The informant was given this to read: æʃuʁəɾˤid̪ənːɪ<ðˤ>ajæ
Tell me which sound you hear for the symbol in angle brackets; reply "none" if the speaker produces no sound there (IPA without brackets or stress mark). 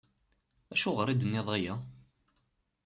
ðˤ